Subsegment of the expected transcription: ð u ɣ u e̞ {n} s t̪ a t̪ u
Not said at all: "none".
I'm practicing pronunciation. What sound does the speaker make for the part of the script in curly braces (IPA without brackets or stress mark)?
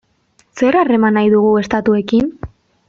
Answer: none